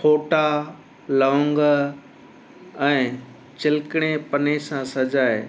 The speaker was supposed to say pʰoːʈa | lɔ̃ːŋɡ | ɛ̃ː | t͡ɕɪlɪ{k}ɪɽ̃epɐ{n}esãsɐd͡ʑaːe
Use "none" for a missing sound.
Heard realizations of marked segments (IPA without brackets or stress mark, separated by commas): k, n